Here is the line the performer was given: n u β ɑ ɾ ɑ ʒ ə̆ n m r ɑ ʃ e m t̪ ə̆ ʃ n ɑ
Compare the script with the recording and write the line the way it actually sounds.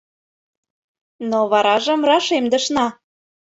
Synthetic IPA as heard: n o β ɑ ɾ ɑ ʒ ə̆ m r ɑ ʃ e m d̪ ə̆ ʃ n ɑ